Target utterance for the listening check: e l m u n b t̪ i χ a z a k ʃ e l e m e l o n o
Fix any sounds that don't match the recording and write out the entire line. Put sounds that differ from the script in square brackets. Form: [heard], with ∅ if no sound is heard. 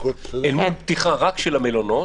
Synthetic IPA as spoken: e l m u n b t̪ i χ a [ʁ] a k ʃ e l [a] m e l o n o